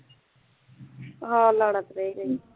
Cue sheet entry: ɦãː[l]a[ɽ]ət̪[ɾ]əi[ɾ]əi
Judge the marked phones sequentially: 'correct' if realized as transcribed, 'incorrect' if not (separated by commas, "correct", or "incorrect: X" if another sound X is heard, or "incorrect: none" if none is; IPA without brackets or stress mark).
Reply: correct, correct, correct, correct